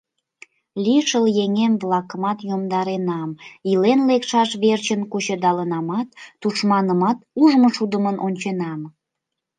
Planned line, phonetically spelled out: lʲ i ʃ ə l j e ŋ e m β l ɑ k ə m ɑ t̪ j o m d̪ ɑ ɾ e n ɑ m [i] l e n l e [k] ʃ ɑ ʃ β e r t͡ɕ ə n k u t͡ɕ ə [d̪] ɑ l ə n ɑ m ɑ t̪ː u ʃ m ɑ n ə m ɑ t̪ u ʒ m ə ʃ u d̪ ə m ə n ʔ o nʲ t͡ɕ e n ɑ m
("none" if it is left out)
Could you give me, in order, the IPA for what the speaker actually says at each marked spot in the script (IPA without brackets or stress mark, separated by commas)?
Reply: i, k, d̪